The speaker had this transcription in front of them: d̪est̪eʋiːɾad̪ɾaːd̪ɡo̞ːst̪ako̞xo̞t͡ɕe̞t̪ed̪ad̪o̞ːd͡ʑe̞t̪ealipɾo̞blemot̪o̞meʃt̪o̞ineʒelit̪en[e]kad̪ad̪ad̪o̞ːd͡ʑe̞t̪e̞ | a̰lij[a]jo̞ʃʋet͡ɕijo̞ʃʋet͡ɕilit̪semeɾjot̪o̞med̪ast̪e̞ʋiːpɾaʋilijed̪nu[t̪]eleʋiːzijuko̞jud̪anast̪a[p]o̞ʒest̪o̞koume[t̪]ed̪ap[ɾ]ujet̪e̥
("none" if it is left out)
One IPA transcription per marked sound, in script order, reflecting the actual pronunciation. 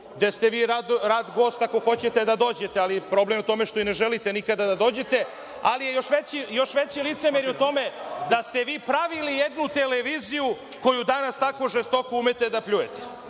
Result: i, e, t̪, k, t̪, ʎ

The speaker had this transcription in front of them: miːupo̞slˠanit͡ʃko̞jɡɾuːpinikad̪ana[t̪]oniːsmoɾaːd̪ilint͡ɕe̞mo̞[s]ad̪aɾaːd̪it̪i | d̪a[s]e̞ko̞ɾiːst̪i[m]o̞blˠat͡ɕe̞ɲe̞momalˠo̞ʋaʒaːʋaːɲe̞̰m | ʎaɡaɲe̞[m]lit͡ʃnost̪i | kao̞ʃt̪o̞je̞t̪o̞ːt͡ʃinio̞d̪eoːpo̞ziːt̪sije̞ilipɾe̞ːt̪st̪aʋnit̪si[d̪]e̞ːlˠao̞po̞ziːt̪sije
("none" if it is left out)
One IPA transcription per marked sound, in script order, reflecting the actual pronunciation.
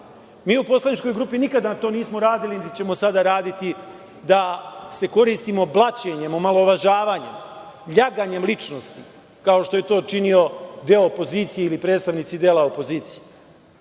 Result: t̪, s, s, m, m, d̪

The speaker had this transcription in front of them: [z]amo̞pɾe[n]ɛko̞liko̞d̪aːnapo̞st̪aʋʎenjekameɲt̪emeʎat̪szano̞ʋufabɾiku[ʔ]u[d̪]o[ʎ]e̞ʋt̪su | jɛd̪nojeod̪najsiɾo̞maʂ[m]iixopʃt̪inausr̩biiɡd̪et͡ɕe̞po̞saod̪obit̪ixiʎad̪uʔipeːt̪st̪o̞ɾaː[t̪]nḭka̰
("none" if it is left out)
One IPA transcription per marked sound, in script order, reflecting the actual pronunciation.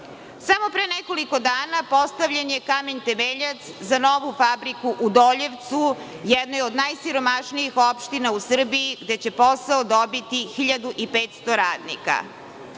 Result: s, n, ʔ, d̪, ʎ, n, d̪

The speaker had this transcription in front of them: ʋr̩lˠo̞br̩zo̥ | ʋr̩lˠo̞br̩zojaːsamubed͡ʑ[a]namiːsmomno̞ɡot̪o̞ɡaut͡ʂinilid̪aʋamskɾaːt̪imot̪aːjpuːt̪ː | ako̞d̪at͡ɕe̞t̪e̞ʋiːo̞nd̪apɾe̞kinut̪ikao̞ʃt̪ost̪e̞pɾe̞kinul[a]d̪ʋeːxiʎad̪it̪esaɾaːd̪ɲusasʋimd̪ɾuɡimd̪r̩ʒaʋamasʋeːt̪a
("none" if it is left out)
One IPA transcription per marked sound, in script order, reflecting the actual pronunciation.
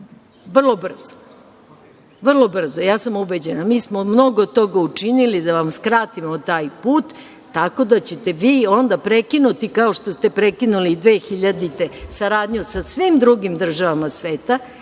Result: e, i

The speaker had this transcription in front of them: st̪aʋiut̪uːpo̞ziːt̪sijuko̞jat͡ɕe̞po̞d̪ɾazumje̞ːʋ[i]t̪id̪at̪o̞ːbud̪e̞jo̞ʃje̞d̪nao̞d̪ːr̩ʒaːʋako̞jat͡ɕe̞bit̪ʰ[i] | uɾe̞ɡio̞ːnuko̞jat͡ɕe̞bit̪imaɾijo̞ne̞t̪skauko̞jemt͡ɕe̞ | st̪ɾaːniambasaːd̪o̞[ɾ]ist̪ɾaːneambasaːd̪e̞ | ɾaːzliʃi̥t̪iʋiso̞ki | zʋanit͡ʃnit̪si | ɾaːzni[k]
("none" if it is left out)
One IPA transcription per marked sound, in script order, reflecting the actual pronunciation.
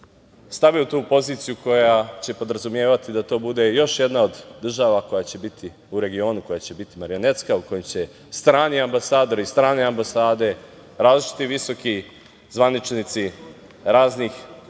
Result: a, i, ɾ, x

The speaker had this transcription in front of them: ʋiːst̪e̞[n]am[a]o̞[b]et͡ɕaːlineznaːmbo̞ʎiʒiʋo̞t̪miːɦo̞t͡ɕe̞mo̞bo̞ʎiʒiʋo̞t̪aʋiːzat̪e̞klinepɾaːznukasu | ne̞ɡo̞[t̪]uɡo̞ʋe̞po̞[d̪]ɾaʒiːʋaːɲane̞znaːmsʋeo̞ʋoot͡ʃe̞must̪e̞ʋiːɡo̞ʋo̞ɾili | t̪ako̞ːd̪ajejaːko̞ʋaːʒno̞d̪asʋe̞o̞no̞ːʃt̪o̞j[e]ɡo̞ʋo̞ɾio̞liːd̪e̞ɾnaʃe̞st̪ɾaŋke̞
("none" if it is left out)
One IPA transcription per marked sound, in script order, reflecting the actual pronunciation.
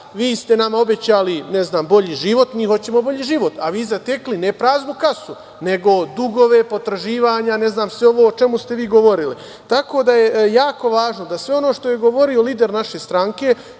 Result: n, a, b, d̪, t̪, e

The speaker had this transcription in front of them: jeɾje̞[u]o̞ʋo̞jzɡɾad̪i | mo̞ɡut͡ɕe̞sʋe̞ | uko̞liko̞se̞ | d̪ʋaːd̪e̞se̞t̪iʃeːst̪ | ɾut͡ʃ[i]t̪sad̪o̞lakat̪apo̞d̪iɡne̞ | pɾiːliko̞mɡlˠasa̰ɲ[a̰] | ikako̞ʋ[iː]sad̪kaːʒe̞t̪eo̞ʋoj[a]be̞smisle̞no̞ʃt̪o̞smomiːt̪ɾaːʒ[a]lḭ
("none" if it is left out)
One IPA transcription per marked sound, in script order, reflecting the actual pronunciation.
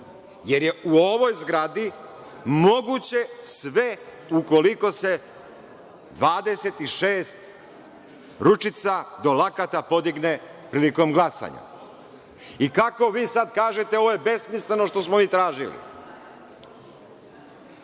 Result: u, i, a̰, iː, e, i

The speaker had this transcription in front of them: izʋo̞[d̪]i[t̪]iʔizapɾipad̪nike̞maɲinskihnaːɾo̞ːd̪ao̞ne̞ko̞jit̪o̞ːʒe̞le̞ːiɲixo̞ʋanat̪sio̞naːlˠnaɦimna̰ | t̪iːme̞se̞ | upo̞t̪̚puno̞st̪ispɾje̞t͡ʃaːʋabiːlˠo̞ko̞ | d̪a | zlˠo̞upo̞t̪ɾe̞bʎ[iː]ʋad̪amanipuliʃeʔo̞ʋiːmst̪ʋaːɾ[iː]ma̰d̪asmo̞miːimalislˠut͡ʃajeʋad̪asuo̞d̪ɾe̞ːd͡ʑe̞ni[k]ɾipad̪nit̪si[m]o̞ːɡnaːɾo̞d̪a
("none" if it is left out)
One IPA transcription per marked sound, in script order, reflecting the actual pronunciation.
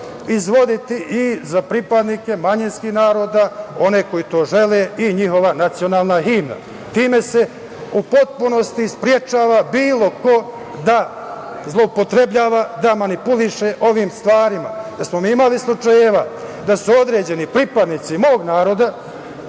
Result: d̪, t̪, aː, i, p, m

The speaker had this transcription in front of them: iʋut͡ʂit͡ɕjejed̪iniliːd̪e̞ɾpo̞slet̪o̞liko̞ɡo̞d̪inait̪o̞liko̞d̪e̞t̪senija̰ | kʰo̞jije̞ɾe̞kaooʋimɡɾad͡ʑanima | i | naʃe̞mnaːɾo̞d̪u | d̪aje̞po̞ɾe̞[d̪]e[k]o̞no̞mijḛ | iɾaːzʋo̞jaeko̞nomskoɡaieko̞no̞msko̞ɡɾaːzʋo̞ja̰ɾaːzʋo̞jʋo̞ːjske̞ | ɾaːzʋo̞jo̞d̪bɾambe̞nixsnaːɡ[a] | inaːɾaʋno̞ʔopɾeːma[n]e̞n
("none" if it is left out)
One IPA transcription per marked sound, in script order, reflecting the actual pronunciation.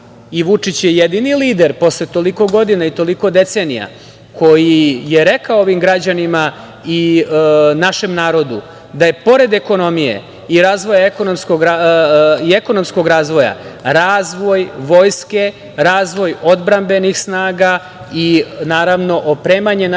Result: d̪, k, a, ɲ

